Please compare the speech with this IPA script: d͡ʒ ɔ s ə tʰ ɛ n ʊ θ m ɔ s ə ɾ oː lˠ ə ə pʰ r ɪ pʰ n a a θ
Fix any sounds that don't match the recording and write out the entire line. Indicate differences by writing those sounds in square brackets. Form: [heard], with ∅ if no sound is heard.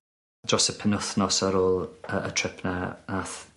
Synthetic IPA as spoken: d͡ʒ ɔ s ə [pʰ] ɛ n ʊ θ [n] ɔ s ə ɾ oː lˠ ə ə [tʰ] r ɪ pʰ n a a θ

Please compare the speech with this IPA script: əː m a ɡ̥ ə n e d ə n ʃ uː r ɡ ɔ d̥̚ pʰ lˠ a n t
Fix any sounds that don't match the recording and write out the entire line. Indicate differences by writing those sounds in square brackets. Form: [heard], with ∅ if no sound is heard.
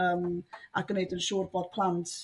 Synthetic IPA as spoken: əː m a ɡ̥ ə n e d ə n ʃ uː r [b] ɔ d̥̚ pʰ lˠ a n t

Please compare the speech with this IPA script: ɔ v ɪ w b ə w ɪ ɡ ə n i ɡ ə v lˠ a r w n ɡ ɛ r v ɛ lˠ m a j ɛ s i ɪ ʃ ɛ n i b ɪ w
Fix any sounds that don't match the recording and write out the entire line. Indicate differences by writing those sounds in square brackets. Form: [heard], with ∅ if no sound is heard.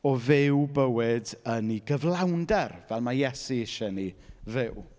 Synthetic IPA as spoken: ɔ v ɪ w b ə w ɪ [d] ə n i ɡ ə v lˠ a [∅] w n [d] ɛ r v ɛ lˠ m a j ɛ s i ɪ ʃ ɛ n i [v] ɪ w

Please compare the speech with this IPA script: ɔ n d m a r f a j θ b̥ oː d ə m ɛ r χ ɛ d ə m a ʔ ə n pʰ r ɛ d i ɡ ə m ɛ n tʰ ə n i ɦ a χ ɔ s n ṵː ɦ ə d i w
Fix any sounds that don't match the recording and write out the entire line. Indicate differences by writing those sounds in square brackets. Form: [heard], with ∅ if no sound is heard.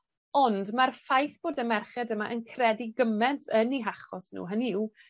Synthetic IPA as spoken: ɔ n d m a r f a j θ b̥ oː d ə m ɛ r χ ɛ d ə m a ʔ ə n [kʰ] r ɛ d i ɡ ə m ɛ n tʰ ə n i ɦ a χ ɔ s n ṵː ɦ ə [n] i w

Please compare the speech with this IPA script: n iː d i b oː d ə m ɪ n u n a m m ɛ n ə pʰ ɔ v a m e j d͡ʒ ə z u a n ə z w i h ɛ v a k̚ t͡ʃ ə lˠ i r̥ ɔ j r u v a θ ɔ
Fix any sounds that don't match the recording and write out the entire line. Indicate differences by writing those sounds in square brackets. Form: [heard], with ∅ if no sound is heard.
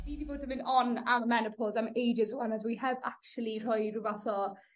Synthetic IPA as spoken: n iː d i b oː d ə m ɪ n [ɔ] n a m m ɛ n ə pʰ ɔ [z] a m e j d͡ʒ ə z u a n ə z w i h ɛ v a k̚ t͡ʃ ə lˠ i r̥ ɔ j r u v a θ ɔ

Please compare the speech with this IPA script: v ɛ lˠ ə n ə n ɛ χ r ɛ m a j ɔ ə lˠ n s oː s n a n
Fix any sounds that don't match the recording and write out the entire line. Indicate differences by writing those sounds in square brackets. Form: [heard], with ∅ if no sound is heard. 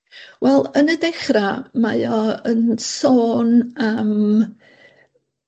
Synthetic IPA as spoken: [w] ɛ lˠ ə n ə [d] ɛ χ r [a] m a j ɔ ə [∅] n s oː [∅] n a [m]

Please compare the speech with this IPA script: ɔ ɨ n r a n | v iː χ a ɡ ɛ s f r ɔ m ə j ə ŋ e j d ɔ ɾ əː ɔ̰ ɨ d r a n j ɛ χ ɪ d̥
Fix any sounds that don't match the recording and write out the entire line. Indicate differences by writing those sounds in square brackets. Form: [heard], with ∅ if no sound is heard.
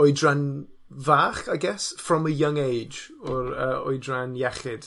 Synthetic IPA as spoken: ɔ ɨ [d] r a n | v [aː] χ a ɡ ɛ s f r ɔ m ə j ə ŋ e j [d͡ʒ] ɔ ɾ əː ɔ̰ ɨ d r a n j ɛ χ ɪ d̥

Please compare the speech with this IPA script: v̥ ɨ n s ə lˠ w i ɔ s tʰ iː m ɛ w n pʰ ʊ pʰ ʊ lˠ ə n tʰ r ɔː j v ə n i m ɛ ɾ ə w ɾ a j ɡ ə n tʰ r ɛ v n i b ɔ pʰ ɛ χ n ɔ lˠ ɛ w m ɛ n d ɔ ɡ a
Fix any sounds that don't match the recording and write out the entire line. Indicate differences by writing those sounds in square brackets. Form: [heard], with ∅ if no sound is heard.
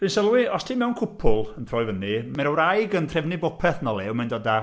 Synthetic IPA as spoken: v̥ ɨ n s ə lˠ w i ɔ s tʰ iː m ɛ w n [kʰ] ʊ pʰ ʊ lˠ ə n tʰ r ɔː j v ə n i m ɛ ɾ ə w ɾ a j ɡ ə n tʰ r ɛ v n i b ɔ pʰ ɛ [θ] n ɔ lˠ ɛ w m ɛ n d ɔ [d] a

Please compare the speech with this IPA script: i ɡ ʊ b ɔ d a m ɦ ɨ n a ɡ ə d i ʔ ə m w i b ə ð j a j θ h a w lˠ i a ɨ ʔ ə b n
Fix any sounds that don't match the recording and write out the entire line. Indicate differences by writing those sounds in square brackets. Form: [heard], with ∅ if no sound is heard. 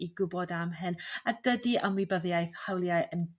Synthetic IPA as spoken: i ɡ ʊ b ɔ d a m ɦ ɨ n a [d] ə d i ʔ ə m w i b ə ð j a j θ h a w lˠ [j] a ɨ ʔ ə [∅] n

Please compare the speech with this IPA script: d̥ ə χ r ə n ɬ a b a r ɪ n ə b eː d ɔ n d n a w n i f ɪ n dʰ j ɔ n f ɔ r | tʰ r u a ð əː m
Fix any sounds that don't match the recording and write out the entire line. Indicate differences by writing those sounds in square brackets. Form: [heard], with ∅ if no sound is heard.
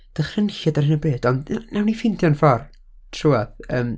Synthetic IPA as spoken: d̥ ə χ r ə n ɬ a [d] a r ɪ n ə b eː d ɔ n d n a w n i f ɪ n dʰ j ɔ n f ɔ r | tʰ r u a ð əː m

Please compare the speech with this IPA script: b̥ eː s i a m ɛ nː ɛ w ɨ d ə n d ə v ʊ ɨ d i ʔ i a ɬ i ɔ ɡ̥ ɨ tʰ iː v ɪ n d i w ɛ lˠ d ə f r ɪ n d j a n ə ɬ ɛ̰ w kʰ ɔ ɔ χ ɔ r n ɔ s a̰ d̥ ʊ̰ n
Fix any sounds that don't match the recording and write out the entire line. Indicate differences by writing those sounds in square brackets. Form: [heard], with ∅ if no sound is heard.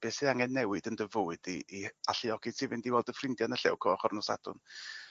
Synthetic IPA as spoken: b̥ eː s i a [ŋ] ɛ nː ɛ w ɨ d ə n d ə v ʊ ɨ d i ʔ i a ɬ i ɔ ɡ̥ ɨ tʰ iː v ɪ n d i w ɛ lˠ d ə f r ɪ n d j a n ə ɬ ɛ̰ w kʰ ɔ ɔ χ ɔ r n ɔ s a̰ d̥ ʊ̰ n

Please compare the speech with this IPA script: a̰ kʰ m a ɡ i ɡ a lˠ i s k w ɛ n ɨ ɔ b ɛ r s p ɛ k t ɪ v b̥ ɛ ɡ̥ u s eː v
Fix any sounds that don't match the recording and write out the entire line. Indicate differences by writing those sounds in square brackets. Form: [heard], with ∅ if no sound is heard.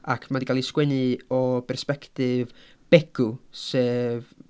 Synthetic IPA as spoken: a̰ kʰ m a [d] i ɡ a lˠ i s k w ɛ n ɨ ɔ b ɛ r s p ɛ k t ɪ v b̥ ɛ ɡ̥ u s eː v

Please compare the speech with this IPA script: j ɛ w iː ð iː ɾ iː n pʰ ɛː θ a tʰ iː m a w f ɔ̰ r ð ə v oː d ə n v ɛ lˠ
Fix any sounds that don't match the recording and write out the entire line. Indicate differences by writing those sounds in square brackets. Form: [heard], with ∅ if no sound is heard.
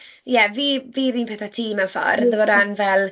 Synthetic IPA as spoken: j ɛ [v] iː [v] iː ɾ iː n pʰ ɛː θ a tʰ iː m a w f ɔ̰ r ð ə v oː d [a] n v ɛ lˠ

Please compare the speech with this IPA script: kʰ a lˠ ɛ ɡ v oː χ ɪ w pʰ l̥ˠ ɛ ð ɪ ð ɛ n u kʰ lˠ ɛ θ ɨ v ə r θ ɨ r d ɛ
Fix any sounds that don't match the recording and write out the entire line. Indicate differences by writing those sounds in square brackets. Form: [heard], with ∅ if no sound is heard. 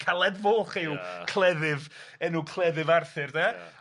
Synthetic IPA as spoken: kʰ a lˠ ɛ [d] v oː χ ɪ w [kʰ] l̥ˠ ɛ ð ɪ [v] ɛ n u kʰ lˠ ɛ [ð] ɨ v [a] r θ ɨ r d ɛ

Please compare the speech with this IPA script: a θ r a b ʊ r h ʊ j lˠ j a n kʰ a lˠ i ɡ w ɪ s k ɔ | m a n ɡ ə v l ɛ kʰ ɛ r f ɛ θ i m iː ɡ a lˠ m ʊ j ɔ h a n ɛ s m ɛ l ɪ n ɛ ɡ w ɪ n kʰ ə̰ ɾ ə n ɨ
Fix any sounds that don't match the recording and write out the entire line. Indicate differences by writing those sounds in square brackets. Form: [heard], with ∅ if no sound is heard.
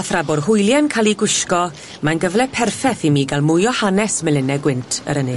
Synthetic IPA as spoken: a θ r a b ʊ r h ʊ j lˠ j a n kʰ a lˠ i ɡ w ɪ [ʃ] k ɔ | m a n ɡ ə v l ɛ [pʰ] ɛ r f ɛ θ i m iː ɡ a lˠ m ʊ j ɔ h a n ɛ s m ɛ l ɪ n ɛ ɡ w ɪ n [tʰ] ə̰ ɾ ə n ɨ

